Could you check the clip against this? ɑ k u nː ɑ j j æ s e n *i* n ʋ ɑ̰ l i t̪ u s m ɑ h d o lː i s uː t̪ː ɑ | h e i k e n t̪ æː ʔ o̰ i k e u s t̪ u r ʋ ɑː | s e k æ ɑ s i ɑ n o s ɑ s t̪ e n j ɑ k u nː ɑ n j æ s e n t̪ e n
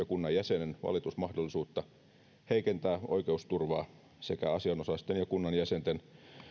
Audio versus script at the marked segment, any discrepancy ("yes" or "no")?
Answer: yes